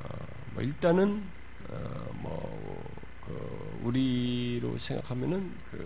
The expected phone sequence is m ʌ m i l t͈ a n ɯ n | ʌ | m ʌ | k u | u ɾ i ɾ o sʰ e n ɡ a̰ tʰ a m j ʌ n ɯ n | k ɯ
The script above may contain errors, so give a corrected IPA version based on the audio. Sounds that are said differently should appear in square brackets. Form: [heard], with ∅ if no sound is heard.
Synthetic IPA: m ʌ [∅] i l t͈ a n ɯ n | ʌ | m ʌ | k [ɯ] | u ɾ i ɾ o sʰ e [ŋ] ɡ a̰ [kʰ] a m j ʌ n ɯ n | k ɯ